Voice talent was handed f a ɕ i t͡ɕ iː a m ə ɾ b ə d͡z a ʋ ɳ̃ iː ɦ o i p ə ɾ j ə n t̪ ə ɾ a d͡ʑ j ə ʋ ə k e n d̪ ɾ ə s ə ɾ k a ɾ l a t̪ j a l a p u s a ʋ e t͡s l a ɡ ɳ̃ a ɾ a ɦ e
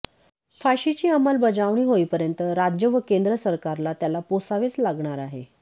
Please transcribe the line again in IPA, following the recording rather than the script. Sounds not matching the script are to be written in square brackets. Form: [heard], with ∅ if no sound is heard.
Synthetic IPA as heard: f a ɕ i t͡ɕ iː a m ə [l] b ə d͡z a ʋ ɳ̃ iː ɦ o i p ə ɾ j ə n t̪ ə ɾ a d͡ʑ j ə ʋ ə k e n d̪ ɾ ə s ə ɾ k a ɾ l a t̪ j a l a p [o] s a ʋ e t͡s l a ɡ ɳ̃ a ɾ a ɦ e